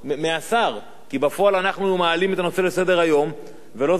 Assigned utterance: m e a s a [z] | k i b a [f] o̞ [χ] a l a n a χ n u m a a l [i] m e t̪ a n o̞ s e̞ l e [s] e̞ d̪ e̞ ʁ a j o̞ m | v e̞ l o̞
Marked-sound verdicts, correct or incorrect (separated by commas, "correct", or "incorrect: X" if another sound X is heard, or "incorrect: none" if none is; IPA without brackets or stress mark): incorrect: ʁ, correct, incorrect: none, correct, correct